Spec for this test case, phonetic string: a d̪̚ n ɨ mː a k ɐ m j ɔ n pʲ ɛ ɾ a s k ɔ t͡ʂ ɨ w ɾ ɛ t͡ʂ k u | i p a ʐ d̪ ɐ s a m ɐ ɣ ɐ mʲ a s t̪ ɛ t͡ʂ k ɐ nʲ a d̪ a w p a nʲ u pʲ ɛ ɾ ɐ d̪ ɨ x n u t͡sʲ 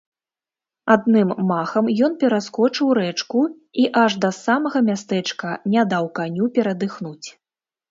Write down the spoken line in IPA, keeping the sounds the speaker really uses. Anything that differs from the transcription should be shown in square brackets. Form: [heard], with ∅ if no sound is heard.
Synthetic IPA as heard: a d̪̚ n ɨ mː a [x] ɐ m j ɔ n pʲ ɛ ɾ a s k ɔ t͡ʂ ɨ w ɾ ɛ t͡ʂ k u | i [ʔ] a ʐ d̪ ɐ s a m ɐ ɣ ɐ mʲ a s t̪ ɛ t͡ʂ k ɐ nʲ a d̪ a w [k] a nʲ u pʲ ɛ ɾ ɐ d̪ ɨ x n u t͡sʲ